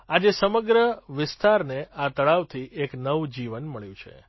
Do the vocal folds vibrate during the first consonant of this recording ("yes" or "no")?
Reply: yes